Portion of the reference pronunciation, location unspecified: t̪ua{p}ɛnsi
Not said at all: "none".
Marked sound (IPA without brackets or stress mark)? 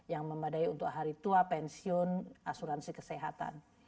p